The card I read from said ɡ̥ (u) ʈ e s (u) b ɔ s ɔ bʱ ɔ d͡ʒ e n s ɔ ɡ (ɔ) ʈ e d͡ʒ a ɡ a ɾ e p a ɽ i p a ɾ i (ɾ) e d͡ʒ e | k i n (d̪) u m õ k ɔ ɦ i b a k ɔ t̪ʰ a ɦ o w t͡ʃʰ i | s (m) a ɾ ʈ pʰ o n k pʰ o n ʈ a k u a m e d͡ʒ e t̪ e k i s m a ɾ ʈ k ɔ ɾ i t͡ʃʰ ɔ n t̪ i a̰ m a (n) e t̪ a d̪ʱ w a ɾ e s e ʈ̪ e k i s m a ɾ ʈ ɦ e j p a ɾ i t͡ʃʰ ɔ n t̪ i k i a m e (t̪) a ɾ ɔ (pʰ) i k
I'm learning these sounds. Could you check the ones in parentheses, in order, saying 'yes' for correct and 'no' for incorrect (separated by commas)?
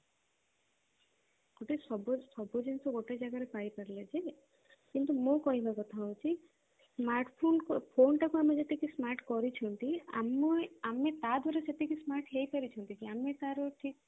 no, no, no, no, no, yes, no, yes, no